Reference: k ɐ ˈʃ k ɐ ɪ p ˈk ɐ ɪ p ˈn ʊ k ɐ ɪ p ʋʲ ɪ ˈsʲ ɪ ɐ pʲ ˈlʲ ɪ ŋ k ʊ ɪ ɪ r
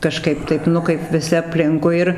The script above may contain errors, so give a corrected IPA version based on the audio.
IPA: k ɐ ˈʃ k ɐ ɪ p ˈt ɐ ɪ p ˈn ʊ k ɐ ɪ p ʋʲ ɪ ˈsʲ ɪ ɐ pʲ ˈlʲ ɪ ŋ k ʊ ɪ ɪ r

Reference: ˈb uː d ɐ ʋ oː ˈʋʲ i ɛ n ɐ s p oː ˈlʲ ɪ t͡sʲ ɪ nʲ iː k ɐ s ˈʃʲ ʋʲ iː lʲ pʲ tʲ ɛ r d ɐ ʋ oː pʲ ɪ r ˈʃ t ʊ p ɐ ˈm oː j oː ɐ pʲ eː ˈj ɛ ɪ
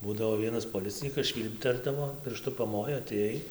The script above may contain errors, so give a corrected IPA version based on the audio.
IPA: ˈb uː d ɐ ʋ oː ˈʋʲ i ɛ n ɐ s p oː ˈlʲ ɪ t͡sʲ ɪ nʲ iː k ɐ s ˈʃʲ ʋʲ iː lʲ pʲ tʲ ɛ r d ɐ ʋ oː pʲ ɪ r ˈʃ t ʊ p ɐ ˈm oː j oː ɐ tʲ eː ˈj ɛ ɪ

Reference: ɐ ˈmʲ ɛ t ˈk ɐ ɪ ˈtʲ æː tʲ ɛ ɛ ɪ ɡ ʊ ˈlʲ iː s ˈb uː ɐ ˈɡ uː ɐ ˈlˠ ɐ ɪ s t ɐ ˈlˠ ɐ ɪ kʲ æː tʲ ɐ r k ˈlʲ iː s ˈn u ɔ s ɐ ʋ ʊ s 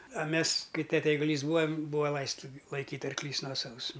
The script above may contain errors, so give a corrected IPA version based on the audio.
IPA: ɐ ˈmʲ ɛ s ˈk ɐ ɪ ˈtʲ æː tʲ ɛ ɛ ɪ ɡ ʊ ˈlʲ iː s ˈb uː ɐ ˈb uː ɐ ˈlˠ ɐ ɪ s t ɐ ˈlˠ ɐ ɪ kʲ iː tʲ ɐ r k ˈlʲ iː s ˈn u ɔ s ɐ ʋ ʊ s

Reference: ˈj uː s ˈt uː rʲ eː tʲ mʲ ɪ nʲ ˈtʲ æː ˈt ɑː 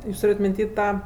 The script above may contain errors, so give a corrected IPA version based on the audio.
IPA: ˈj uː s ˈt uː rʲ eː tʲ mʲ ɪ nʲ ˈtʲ iː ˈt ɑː

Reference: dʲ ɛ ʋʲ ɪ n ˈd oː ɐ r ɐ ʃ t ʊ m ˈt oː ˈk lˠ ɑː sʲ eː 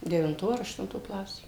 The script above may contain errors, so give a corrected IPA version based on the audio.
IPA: dʲ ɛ ʋʲ ɪ n ˈt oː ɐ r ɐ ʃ t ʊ n ˈt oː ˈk lˠ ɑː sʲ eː

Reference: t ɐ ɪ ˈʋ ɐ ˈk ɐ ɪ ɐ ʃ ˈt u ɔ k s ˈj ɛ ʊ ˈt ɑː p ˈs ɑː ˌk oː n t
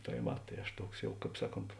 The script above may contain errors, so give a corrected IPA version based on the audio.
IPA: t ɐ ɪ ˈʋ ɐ ˈt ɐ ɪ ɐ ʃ ˈt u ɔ k s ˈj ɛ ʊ ˈk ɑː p ˈs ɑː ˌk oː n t

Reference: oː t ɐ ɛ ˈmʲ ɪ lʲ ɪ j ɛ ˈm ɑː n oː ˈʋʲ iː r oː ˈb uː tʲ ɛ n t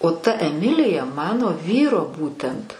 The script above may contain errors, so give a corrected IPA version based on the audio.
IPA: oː t ɐ ɛ ˈmʲ ɪ lʲ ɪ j ɛ ˈm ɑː n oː ˈʋʲ iː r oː ˈb uː tʲ ɛ n t

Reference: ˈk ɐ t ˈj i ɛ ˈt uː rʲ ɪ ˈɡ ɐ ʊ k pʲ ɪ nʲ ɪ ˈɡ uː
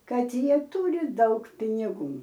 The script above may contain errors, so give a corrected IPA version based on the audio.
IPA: ˈk ɐ t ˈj i ɛ ˈt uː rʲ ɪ ˈd ɐ ʊ k pʲ ɪ nʲ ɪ ˈɡ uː

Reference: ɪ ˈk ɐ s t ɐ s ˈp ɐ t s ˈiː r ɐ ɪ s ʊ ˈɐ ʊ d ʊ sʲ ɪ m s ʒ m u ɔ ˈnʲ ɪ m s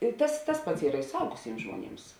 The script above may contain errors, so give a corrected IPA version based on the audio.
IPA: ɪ ˈt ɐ s t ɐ s ˈp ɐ t s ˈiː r ɐ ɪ s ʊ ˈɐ ʊ ɡ ʊ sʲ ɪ m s ʒ m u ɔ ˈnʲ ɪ m s

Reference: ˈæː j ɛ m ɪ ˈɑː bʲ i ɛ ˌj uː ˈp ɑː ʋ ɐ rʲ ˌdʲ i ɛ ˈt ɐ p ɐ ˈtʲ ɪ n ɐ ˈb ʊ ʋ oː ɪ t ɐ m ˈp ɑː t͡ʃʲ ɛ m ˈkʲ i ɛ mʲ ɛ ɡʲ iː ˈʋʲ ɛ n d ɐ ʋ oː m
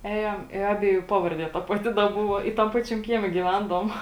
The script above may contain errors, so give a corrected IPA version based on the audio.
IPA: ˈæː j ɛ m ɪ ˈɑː bʲ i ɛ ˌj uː ˈp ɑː ʋ ɐ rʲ ˌdʲ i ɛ ˈt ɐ p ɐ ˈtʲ ɪ d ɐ ˈb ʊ ʋ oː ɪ t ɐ m ˈp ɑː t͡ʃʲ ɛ m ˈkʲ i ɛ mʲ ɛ ɡʲ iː ˈʋʲ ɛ n d ɐ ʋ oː m

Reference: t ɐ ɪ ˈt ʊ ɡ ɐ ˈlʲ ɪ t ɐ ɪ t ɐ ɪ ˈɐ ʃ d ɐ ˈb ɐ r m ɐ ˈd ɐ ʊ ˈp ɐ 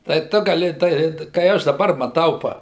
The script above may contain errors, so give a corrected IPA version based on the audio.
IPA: t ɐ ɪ ˈt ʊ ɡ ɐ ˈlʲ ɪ t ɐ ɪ k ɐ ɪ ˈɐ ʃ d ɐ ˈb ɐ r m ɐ ˈt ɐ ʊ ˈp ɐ

